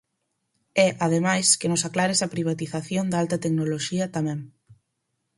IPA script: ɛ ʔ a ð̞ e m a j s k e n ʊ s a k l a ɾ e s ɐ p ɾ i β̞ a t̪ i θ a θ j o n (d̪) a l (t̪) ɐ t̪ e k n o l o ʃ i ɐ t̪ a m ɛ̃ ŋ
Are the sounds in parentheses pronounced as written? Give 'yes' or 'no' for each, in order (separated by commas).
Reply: yes, yes